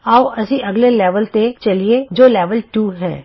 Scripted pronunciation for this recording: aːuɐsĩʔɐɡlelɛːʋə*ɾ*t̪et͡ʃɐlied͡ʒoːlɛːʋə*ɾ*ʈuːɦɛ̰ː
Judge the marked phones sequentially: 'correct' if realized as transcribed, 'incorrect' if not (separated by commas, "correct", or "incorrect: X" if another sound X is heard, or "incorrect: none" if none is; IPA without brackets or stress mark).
incorrect: l, incorrect: l